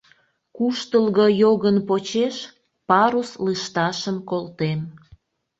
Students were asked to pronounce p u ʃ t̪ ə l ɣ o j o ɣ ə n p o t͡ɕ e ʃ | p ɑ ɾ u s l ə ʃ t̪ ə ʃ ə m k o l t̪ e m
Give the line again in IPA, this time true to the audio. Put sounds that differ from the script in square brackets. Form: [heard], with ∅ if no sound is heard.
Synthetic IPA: [k] u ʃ t̪ ə l ɣ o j o ɣ ə n p o t͡ɕ e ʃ | p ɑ ɾ u s l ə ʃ t̪ [ɑ] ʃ ə m k o l t̪ e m